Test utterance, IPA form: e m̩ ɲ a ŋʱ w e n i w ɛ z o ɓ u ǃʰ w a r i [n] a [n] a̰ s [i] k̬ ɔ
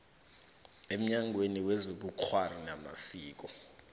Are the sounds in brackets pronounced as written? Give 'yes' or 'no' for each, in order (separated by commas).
yes, no, no